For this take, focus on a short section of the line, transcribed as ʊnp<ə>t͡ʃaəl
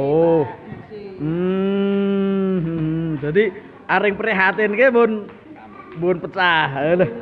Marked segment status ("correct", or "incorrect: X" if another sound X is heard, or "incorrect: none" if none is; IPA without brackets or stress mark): correct